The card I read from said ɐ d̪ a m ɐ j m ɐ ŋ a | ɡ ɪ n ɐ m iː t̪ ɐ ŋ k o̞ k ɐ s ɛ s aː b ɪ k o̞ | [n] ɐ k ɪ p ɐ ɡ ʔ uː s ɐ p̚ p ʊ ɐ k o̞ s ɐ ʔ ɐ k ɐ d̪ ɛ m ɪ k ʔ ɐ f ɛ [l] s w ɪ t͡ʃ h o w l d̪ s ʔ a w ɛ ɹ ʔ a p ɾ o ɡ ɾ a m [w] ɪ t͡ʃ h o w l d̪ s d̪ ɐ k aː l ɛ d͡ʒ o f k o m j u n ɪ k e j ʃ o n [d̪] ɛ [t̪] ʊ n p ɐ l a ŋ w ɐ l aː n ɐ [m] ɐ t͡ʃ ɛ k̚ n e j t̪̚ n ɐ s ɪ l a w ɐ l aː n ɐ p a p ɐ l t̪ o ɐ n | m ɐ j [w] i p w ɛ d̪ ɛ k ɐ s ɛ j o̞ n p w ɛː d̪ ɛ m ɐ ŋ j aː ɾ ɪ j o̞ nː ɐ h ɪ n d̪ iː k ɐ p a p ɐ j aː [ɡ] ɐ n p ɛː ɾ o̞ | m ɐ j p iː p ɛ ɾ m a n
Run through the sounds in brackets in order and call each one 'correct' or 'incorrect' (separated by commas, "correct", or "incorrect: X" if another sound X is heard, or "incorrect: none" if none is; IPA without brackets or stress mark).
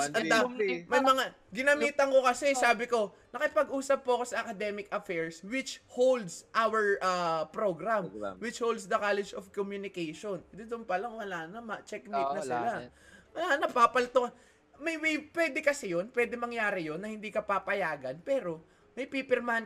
correct, incorrect: ɹ, correct, correct, incorrect: d̪, correct, correct, correct